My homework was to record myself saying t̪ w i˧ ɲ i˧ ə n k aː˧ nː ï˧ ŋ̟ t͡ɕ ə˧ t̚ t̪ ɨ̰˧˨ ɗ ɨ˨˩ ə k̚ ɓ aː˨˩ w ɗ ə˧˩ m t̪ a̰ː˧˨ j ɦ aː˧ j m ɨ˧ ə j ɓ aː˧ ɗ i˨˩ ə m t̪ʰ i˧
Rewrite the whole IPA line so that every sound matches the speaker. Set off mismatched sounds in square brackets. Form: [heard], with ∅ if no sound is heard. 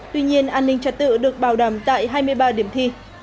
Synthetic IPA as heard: t̪ w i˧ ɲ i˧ ə n [ʔ] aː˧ nː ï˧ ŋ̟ t͡ɕ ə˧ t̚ t̪ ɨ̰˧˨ ɗ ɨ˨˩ ə k̚ ɓ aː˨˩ w ɗ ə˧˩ m t̪ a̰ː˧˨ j ɦ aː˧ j m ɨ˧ ə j ɓ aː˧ ɗ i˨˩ ə m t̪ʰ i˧